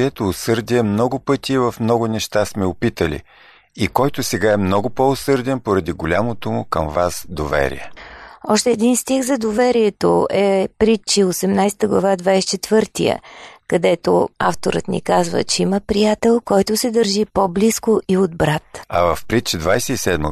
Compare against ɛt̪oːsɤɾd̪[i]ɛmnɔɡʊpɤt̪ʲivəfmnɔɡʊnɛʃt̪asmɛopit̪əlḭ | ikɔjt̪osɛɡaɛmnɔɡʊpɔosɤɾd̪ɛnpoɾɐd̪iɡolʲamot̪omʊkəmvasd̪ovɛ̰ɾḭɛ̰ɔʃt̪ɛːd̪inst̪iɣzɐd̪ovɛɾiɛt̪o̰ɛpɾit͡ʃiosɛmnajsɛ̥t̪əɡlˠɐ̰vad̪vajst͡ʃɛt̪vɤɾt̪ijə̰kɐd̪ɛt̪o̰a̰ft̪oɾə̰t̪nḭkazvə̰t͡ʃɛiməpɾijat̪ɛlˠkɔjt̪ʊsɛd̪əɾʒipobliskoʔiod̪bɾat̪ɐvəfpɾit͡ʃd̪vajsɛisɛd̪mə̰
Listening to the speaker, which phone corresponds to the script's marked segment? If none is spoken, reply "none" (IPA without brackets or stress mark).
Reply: i